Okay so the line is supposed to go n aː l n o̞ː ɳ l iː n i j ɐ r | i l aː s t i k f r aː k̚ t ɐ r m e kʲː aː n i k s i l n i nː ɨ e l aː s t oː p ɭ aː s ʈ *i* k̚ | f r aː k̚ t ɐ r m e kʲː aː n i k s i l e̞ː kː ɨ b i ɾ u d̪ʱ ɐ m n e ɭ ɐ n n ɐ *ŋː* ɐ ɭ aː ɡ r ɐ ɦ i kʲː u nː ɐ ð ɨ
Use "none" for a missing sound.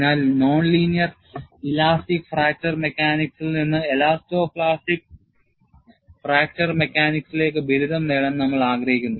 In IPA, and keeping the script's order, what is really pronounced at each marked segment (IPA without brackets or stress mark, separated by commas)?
i, mː